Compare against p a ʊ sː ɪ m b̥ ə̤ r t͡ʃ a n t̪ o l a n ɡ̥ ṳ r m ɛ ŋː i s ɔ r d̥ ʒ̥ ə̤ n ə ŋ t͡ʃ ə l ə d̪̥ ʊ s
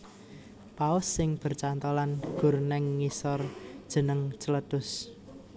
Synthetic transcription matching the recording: p a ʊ sː ɪ ŋ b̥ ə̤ r t͡ʃ a n t̪ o l a n ɡ̥ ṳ r n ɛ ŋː i s ɔ r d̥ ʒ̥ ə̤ n ə ŋ t͡ʃ ə l ə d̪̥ ʊ s